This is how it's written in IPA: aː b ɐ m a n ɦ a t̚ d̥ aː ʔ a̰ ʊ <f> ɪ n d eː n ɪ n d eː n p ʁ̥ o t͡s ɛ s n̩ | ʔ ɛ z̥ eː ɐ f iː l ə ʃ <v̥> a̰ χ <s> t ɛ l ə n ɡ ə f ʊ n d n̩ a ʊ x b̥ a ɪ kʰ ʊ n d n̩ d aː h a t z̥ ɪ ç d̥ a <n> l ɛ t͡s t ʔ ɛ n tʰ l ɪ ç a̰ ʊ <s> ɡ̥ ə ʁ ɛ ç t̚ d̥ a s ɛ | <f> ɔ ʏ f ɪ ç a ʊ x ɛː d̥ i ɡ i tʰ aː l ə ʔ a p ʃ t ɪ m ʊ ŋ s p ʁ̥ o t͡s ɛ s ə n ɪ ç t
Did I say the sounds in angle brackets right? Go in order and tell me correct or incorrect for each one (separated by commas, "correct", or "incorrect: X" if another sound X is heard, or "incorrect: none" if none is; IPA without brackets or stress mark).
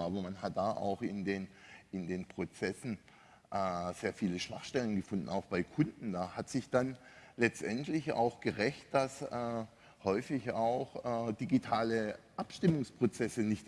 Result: incorrect: x, correct, incorrect: ʃ, correct, incorrect: x, incorrect: h